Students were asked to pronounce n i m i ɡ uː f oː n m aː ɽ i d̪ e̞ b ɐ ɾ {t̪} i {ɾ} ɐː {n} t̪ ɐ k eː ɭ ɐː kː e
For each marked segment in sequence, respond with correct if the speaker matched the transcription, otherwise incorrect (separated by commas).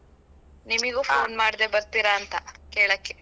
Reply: correct, correct, correct